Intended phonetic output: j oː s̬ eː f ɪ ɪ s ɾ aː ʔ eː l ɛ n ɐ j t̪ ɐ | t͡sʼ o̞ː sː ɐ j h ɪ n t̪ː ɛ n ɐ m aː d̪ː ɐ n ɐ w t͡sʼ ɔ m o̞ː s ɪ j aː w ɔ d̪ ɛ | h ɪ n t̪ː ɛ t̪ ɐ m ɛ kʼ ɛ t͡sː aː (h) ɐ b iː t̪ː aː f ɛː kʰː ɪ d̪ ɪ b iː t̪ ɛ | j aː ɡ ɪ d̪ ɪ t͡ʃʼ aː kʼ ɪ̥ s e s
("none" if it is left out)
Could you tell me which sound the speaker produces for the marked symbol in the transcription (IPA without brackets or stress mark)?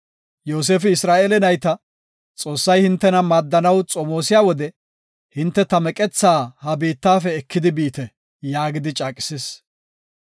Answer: h